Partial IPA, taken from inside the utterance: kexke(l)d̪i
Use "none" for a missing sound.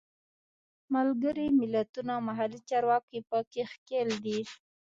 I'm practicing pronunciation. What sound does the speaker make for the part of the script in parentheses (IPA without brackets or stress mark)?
l